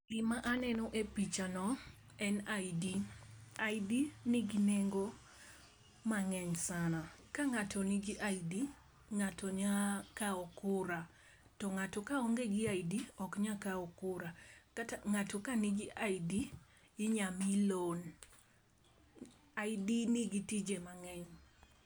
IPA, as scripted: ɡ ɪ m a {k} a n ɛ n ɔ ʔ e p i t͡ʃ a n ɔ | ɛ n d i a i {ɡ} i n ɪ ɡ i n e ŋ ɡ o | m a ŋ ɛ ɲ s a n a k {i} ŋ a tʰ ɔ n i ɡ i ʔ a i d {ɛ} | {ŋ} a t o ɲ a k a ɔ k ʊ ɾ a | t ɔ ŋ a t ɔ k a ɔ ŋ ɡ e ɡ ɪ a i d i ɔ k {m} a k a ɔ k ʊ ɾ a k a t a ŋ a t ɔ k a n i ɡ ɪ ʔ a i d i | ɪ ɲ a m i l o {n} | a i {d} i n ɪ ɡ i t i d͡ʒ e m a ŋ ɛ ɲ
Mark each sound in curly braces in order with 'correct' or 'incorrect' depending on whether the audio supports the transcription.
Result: incorrect, incorrect, incorrect, incorrect, correct, incorrect, correct, correct

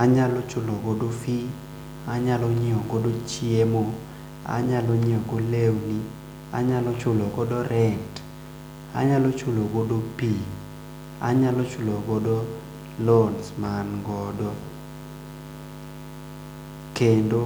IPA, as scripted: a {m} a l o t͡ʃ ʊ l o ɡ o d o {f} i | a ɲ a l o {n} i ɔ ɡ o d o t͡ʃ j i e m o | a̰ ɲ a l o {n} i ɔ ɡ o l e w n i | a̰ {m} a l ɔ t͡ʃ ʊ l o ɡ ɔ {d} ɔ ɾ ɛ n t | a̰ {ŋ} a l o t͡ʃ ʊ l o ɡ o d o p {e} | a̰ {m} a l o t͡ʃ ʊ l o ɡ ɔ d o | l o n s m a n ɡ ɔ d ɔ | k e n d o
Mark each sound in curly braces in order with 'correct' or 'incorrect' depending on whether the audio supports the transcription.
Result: incorrect, correct, incorrect, incorrect, incorrect, correct, incorrect, incorrect, incorrect

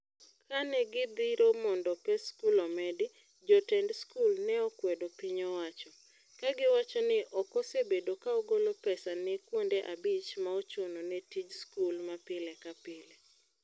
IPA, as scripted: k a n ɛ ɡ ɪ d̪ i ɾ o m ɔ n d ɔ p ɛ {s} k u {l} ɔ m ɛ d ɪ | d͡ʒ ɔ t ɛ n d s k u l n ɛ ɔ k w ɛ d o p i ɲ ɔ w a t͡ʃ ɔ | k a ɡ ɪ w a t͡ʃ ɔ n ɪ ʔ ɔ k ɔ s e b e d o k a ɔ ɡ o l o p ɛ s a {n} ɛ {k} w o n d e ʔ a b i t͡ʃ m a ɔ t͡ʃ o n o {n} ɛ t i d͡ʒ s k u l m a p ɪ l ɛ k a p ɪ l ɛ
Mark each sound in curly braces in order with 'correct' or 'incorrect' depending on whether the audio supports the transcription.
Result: correct, correct, correct, correct, correct

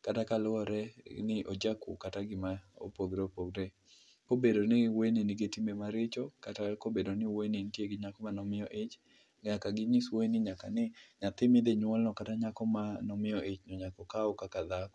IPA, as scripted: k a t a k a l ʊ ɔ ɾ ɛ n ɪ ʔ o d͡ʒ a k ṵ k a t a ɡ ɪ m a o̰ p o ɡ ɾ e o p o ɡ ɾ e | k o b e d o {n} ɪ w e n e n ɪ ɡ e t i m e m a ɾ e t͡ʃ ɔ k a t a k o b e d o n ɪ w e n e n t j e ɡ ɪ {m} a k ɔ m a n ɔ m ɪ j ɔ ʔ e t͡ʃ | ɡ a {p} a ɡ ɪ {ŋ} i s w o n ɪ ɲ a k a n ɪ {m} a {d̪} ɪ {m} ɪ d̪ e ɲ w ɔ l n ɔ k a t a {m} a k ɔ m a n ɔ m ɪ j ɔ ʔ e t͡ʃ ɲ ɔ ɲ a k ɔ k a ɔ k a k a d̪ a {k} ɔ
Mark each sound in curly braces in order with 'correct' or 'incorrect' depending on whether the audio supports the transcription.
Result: correct, incorrect, incorrect, incorrect, incorrect, incorrect, correct, incorrect, correct

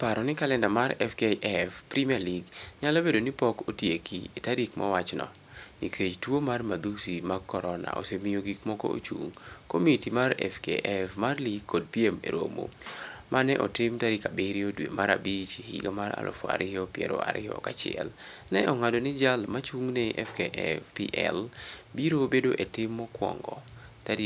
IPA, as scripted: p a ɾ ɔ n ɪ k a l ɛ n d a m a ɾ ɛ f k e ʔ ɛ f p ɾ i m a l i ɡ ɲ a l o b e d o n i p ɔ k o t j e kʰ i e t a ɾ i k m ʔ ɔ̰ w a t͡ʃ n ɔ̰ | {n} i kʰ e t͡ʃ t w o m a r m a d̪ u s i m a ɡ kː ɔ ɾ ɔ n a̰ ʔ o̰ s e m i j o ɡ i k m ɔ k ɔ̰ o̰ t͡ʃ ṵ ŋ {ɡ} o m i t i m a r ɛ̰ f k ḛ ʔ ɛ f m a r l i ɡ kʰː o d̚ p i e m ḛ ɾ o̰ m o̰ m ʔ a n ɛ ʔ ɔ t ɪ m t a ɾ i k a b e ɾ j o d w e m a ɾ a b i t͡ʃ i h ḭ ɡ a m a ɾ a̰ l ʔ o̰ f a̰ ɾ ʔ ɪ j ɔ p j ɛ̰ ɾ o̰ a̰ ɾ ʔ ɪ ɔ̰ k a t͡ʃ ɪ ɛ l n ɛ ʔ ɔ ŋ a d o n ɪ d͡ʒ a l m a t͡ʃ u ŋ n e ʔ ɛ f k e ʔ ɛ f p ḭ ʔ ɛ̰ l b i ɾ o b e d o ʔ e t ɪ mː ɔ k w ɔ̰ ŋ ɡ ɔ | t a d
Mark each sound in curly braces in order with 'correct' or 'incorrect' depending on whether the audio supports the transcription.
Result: correct, incorrect

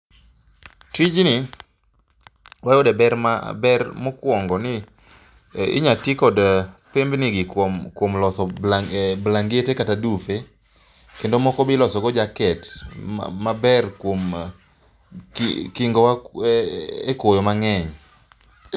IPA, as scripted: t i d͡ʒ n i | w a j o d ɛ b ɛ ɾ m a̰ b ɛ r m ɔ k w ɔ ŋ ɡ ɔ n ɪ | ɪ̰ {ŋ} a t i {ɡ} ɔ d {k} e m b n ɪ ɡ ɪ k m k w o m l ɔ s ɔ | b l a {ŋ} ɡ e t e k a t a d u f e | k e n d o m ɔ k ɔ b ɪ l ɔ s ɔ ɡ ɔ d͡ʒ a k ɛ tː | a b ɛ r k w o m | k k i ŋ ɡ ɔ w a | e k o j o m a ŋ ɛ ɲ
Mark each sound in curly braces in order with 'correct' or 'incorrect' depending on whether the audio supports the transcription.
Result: incorrect, incorrect, incorrect, correct

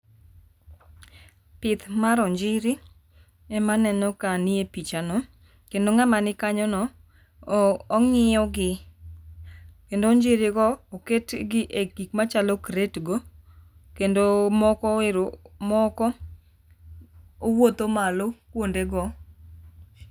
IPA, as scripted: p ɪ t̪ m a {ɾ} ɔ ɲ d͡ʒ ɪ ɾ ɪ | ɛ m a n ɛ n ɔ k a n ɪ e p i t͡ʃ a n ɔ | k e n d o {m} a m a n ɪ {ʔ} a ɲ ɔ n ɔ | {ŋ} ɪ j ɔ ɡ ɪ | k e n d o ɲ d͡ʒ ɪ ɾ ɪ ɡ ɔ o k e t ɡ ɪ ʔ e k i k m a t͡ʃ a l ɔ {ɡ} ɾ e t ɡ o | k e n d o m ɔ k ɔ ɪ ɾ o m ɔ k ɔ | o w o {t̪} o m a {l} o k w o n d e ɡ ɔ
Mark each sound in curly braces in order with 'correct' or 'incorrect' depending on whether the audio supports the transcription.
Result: correct, incorrect, incorrect, correct, incorrect, correct, correct

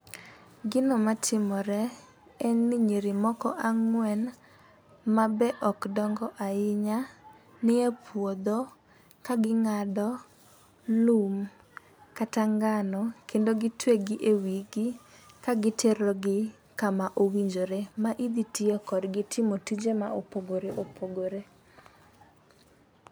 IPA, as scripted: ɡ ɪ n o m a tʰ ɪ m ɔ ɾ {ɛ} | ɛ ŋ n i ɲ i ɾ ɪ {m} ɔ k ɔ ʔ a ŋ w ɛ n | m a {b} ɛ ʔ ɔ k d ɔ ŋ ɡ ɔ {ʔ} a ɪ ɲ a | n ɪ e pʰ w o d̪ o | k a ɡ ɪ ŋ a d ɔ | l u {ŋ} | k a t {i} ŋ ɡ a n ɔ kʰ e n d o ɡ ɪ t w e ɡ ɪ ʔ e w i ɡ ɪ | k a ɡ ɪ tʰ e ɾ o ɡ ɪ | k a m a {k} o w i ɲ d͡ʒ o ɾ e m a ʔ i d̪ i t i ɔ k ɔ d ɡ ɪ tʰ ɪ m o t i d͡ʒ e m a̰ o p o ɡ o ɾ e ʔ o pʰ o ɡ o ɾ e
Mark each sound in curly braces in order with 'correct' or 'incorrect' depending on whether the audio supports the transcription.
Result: correct, correct, correct, correct, incorrect, incorrect, incorrect

